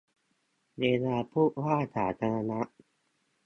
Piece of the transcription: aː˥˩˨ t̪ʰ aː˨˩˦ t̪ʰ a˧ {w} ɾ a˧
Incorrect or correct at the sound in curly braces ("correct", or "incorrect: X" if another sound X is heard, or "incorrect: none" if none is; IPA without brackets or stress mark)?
incorrect: none